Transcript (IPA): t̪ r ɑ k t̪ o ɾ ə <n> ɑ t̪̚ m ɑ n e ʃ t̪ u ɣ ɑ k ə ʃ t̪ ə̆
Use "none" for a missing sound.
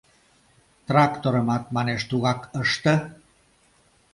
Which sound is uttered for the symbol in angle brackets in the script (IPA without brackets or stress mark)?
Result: m